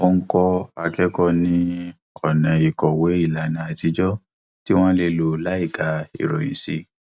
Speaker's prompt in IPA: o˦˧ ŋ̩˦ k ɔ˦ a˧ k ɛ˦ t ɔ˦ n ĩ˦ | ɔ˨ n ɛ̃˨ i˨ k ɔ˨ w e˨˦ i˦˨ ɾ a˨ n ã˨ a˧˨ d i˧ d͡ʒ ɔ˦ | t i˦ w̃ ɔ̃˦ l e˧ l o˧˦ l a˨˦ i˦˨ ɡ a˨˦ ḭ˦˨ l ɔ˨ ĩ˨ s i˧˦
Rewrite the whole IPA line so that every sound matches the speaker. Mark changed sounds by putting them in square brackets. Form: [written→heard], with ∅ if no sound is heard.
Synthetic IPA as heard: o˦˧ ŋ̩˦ k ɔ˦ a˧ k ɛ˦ [t→k] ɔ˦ n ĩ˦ | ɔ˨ n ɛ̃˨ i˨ k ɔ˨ w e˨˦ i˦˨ [ɾ→l] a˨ n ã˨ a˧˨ [d→t] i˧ d͡ʒ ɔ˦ | t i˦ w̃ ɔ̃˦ l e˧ l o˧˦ l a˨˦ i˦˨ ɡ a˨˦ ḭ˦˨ [l→ɾ] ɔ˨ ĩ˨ s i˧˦